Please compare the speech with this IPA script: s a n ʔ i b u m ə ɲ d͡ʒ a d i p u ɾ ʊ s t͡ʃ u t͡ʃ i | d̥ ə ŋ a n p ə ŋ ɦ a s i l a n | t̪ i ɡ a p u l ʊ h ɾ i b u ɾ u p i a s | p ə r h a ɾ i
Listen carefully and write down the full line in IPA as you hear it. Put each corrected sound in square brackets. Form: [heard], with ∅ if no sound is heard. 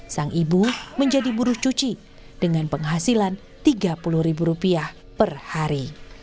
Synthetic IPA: s a [ŋ] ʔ i b u m ə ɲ d͡ʒ a d i [b] u ɾ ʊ [h] t͡ʃ u t͡ʃ i | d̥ ə ŋ a n p ə ŋ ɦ a s i l a n | t̪ i ɡ a p u l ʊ h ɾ i b u ɾ u p i a [h] | p ə r h a ɾ i